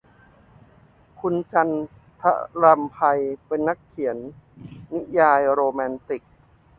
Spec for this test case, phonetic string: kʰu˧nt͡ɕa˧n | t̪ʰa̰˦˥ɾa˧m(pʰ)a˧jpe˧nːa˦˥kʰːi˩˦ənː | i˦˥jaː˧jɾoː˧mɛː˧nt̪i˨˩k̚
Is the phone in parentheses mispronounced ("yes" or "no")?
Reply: no